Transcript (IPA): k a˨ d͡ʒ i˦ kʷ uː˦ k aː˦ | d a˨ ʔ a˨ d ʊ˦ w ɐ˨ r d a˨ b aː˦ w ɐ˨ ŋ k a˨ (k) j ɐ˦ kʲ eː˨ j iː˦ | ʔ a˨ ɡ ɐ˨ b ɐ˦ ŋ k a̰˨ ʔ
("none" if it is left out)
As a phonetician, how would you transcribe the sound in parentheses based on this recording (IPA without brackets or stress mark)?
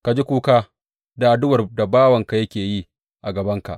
none